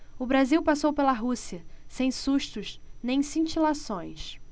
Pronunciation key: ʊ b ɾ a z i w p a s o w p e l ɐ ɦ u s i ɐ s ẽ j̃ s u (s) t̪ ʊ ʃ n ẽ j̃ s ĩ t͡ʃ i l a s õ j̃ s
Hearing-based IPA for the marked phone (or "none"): ʃ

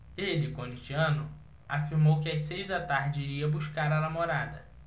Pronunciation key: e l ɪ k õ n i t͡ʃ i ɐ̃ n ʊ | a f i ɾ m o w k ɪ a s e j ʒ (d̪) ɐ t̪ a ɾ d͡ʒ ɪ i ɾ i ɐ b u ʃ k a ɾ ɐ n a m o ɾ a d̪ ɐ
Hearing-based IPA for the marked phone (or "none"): d̪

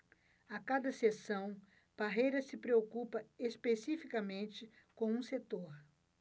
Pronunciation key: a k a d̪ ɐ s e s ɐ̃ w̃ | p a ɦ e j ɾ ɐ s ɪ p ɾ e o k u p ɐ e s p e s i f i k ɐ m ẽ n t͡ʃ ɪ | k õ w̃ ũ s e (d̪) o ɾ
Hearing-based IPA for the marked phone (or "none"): t̪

